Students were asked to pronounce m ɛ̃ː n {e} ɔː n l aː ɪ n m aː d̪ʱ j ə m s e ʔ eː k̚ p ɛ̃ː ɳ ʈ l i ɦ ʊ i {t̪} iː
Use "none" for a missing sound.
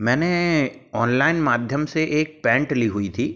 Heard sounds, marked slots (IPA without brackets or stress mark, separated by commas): e, t̪ʰ